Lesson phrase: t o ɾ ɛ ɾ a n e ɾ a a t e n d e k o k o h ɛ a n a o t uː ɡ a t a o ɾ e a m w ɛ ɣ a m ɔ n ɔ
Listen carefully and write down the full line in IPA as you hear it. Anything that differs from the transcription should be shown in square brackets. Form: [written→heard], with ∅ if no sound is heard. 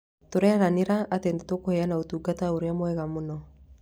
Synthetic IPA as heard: t o ɾ ɛ ɾ a n e ɾ a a t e n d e [k→t] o k o h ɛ a n a o t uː ɡ a t a o ɾ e a m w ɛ ɣ a m [ɔ→o] n ɔ